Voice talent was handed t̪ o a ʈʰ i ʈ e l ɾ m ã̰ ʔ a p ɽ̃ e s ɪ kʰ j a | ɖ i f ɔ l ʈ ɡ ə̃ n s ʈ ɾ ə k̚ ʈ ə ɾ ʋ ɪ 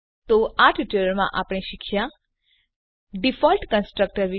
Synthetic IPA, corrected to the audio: t̪ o a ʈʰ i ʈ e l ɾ m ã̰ ʔ a p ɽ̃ e ʃ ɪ kʰ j a | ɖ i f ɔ l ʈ k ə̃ n s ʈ ɾ ə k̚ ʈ ə ɾ ʋ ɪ

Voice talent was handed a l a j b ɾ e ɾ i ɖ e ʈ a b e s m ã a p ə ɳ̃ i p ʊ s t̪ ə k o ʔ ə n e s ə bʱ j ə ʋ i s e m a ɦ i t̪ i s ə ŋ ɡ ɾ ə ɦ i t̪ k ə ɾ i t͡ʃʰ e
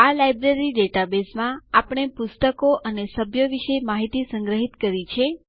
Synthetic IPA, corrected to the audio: a l a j b ɾ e ɾ i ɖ e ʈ a b e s m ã a p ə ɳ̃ e p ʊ s t̪ ə k o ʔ ə n e s ə bʱ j ə ʋ i ʃ e m a ɦ i t̪ i s ə ŋ ɡ ɾ ə ɦ i t̪ k ə ɾ i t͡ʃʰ e

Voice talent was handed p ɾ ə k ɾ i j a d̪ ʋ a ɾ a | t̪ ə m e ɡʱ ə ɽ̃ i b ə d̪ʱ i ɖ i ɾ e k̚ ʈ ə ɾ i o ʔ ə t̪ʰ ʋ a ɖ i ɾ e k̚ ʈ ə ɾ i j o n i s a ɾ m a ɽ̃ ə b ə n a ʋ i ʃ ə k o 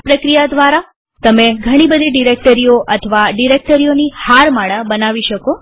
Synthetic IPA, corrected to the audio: p ɾ ə k ɾ i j a d̪ ʋ a ɾ a | t̪ ə m e ɡʱ ə ɽ̃ i b ə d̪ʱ i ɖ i ɾ e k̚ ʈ ə ɾ i o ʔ ə t̪ʰ ʋ a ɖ i ɾ e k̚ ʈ ə ɾ i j o n i h a ɾ m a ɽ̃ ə b ə n a ʋ i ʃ ə k o

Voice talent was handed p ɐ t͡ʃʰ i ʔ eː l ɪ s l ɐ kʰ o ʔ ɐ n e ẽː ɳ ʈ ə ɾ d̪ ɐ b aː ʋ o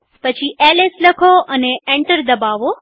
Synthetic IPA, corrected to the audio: p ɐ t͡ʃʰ i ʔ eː l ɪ s l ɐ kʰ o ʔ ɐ n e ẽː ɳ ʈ ə ɾ d̪ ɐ b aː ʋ o

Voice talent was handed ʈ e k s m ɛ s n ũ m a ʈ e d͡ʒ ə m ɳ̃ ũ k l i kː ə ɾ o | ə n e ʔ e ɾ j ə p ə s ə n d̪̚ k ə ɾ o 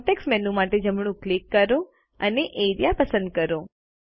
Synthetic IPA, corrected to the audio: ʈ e k s m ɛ n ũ m a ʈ e d͡ʒ ə m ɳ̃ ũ k l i kː ə ɾ o | ə n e ʔ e ɾ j a p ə s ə n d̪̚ k ə ɾ o

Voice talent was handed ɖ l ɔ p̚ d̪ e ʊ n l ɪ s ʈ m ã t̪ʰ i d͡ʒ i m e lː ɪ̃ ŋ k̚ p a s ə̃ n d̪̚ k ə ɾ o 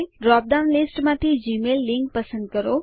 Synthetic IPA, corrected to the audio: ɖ ɾ ɔ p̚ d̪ a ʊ n l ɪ s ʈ m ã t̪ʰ i d͡ʒ i m e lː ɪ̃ ŋ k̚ p ə s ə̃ n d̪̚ k ə ɾ o

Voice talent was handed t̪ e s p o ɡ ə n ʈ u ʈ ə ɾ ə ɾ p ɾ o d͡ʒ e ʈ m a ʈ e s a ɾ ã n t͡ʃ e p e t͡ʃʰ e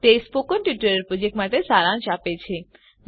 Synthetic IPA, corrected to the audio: t̪ e s p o k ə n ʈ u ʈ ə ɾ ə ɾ p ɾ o d͡ʒ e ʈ m a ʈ e s a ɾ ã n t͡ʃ a p e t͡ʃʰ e

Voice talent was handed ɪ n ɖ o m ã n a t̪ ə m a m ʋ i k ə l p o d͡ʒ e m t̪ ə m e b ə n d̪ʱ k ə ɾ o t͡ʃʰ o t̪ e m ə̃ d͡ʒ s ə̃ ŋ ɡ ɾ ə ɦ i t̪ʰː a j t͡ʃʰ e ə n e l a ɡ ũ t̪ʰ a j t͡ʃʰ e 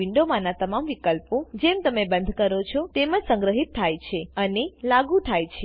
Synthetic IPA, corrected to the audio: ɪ ɳ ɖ o m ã n a t̪ ə m a m ʋ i k ə l p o d͡ʒ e m t̪ ə m e b ə n d̪ʱ k ə ɾ o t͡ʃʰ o t̪ e m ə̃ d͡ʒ s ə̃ ŋ ɡ ɾ ə ɦ i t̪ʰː a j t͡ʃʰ e ə n e l a ɡ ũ t̪ʰ a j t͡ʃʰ e

